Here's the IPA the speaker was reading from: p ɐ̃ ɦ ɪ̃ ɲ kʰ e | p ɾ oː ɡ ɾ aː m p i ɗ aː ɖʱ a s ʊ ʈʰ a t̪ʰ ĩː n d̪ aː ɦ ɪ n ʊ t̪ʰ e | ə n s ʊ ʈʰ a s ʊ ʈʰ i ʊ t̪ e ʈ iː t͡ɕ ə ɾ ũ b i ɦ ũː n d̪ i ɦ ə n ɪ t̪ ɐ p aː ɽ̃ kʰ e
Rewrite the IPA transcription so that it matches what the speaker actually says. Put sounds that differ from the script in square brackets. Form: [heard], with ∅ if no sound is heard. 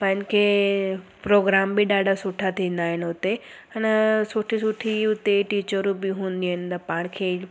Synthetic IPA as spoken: p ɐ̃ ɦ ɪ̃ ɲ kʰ e | p ɾ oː ɡ ɾ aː m [b] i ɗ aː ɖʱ a s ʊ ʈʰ a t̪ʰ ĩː n d̪ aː ɦ ɪ n ʊ [t̪] e | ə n s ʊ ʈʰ [i] s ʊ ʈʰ i ʊ t̪ e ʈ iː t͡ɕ ə ɾ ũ b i ɦ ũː n d̪ i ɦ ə n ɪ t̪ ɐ p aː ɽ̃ kʰ e

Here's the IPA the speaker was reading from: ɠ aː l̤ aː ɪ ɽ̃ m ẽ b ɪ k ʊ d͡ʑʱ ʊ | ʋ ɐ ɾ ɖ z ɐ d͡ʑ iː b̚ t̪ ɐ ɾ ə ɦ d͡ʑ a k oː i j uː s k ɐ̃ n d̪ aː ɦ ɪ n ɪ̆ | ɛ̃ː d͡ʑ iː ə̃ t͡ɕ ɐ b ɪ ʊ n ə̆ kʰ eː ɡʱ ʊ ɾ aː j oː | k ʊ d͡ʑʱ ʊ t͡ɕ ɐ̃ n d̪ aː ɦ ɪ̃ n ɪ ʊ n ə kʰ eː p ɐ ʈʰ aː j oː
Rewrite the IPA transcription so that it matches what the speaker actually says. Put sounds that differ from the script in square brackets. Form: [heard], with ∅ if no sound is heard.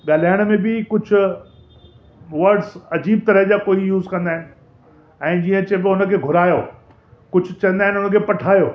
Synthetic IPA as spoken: ɠ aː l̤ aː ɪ ɽ̃ m ẽ b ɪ k ʊ d͡ʑʱ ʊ | ʋ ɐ ɾ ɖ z ɐ d͡ʑ iː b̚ t̪ ɐ ɾ ə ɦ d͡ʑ a k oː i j uː [z] k ɐ̃ n d̪ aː ɦ ɪ n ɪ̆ | ɛ̃ː d͡ʑ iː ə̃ t͡ɕ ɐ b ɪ ʊ n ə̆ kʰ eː ɡʱ ʊ ɾ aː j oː | k ʊ d͡ʑʱ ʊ t͡ɕ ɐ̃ n d̪ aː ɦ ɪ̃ n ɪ ʊ n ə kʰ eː p ɐ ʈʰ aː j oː

